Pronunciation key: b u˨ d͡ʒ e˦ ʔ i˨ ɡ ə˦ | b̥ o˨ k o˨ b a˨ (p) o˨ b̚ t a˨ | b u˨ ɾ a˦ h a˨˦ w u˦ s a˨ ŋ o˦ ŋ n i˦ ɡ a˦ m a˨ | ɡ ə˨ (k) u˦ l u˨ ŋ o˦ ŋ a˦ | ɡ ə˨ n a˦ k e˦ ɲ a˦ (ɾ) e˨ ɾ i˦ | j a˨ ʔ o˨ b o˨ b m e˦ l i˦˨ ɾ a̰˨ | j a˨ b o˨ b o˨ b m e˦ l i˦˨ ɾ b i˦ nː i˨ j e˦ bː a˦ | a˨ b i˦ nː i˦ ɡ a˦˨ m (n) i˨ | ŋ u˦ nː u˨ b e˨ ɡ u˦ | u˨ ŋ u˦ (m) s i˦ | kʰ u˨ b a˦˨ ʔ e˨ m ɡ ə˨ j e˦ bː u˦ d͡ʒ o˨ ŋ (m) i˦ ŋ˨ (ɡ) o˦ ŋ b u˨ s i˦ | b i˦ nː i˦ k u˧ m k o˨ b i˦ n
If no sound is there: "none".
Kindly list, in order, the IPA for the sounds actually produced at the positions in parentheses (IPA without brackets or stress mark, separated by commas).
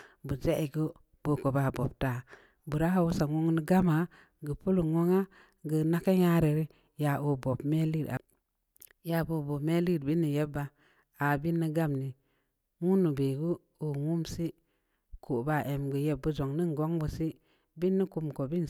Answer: b, p, ɾ, n, m, n, ɡ